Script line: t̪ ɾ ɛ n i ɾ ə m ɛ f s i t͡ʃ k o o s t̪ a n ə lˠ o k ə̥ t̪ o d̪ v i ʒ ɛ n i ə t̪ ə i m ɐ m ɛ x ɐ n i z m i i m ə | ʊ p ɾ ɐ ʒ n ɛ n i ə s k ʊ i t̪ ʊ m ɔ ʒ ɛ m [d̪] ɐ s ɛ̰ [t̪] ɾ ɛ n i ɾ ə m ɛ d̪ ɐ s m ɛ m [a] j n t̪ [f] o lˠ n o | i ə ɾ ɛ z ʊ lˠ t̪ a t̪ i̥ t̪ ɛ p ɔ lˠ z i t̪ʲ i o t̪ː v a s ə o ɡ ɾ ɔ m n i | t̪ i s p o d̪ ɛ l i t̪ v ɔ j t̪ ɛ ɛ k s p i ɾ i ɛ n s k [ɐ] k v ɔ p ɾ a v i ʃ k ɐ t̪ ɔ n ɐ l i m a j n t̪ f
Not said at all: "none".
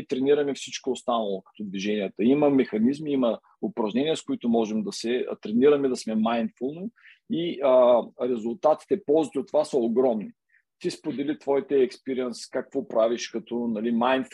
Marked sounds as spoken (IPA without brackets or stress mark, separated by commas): d̪, t̪, a, f, a